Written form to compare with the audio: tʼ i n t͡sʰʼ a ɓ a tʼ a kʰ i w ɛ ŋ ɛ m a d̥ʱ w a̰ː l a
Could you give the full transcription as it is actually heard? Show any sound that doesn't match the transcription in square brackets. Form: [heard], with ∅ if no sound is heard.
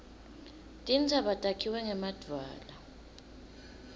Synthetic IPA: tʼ i n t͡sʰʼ a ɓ a tʼ a kʰ i w ɛ ŋ ɛ m a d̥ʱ w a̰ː l a